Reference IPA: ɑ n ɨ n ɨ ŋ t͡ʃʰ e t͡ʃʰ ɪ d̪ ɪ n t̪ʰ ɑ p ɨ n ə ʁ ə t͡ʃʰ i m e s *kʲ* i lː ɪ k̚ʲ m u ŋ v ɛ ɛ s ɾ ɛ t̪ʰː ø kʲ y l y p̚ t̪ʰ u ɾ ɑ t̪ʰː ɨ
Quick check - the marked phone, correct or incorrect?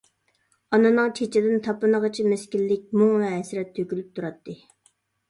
correct